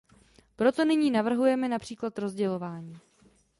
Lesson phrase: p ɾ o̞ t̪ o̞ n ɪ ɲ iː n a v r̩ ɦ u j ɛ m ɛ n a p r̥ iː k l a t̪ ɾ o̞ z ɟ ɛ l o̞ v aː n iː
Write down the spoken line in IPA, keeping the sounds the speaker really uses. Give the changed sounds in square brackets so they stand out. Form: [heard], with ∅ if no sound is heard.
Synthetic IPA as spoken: p ɾ o̞ t̪ o̞ n ɪ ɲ iː n a v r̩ ɦ u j ɛ m ɛ n a p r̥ iː k l a t̪ ɾ o̞ z ɟ ɛ l o̞ v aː [ɲ] iː

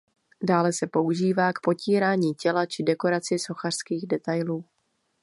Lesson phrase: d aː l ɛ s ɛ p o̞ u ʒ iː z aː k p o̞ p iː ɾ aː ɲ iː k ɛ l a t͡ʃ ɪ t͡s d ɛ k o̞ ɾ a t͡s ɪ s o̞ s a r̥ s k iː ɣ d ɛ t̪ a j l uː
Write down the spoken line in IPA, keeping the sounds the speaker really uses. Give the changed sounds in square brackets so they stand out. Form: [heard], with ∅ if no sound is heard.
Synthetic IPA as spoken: d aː l ɛ s ɛ p o̞ u ʒ iː [v] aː k p o̞ [c] iː ɾ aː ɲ iː [c] ɛ l a t͡ʃ ɪ [∅] d ɛ k o̞ ɾ a t͡s ɪ s o̞ [x] a r̥ s k iː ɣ d ɛ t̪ a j l uː

